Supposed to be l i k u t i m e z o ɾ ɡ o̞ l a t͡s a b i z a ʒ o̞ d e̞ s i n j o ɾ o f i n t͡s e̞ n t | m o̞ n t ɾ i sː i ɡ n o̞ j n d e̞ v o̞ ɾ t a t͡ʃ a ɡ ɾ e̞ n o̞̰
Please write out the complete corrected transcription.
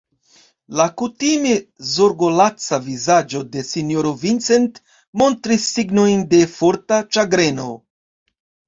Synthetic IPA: l a k u t i m e z o ɾ ɡ o̞ l a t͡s a v i z a d͡ʒ o̞ d e̞ s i n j o ɾ o v i n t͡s e̞ n t | m o̞ n t ɾ i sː i ɡ n o̞ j n d e̞ f o̞ ɾ t a t͡ʃ a ɡ ɾ e̞ n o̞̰